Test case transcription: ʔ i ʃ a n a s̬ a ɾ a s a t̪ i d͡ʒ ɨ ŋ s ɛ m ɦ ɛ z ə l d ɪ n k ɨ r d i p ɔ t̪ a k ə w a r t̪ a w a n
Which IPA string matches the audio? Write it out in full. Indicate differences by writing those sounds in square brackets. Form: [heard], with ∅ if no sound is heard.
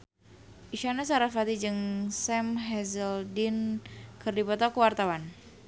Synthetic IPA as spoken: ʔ i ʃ a n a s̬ a ɾ a [f] a t̪ i d͡ʒ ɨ ŋ s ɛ m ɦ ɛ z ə l d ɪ n k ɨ r d i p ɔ t̪ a k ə w a r t̪ a w a n